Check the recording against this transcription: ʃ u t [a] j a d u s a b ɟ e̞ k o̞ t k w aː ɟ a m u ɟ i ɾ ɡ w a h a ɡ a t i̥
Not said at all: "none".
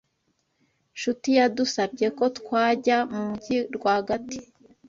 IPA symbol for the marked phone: i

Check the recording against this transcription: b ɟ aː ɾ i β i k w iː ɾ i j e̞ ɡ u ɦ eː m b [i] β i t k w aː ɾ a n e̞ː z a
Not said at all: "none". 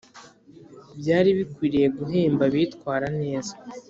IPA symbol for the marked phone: a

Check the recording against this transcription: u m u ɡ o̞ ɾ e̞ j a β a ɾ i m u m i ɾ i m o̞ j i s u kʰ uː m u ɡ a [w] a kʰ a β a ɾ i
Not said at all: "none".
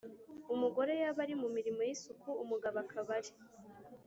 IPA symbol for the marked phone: β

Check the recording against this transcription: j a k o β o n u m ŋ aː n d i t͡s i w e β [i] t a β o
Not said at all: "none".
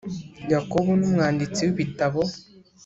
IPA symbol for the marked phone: i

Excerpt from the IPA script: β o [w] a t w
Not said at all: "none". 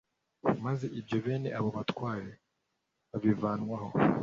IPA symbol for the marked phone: β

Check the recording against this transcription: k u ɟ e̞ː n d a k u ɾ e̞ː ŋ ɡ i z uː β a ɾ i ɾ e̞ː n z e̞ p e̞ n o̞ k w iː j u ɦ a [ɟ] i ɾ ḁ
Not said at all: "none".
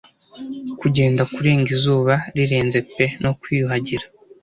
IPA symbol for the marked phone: ɟ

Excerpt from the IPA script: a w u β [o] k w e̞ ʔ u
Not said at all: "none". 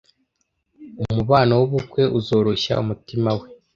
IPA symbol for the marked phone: u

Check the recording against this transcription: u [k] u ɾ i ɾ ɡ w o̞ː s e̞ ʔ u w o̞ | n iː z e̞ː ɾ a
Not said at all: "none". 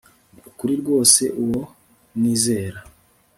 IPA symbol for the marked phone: k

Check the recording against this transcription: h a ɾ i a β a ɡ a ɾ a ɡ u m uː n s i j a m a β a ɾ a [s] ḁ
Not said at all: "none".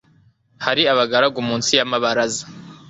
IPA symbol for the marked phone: z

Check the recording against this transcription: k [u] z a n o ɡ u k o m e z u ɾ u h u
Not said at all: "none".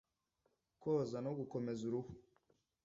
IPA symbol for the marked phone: o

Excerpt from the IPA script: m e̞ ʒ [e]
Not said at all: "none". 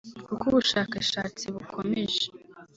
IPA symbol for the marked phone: e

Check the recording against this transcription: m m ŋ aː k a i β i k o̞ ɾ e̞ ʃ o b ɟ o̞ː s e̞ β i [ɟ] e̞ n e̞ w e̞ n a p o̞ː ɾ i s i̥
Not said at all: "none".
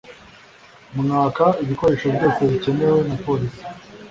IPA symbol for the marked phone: c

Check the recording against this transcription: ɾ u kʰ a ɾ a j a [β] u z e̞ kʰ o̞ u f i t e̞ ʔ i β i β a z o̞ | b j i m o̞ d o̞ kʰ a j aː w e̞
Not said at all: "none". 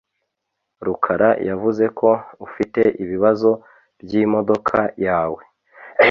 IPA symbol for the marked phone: v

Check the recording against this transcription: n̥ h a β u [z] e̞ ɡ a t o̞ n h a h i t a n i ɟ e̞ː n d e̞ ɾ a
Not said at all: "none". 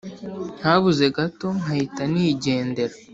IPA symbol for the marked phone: z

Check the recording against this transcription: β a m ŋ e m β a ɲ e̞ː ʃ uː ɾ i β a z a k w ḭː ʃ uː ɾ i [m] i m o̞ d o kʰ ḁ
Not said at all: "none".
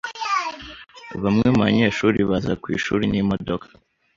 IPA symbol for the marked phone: n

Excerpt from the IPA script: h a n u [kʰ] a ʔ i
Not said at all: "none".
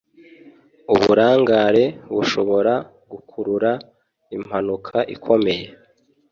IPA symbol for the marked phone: kʰ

